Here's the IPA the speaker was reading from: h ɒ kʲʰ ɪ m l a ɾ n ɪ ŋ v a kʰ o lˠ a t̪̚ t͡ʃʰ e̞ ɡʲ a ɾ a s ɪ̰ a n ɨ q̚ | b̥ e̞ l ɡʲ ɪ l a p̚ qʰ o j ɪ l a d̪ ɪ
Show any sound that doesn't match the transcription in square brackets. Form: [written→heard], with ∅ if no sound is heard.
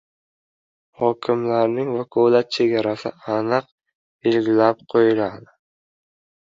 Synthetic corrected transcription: h ɒ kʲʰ ɪ m l a ɾ n ɪ ŋ v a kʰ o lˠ a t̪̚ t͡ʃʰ e̞ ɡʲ a ɾ a s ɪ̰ a n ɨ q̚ | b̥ e̞ l ɡʲ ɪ l a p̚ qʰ o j ɪ l a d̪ ɪ